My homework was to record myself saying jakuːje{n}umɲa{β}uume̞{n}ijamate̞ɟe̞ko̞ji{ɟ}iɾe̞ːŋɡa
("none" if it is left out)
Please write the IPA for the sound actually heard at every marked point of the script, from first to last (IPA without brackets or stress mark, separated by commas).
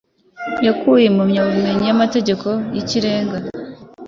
m, β, ɲ, c